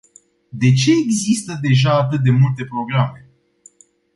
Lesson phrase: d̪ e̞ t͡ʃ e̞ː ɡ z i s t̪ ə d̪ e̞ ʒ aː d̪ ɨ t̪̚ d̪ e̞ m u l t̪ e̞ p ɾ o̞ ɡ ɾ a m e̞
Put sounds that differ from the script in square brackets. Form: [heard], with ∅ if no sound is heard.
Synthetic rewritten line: d̪ e̞ t͡ʃ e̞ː ɡ z i s t̪ ə d̪ e̞ ʒ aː [t̪] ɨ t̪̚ d̪ e̞ m u l t̪ e̞ p ɾ o̞ ɡ ɾ a m e̞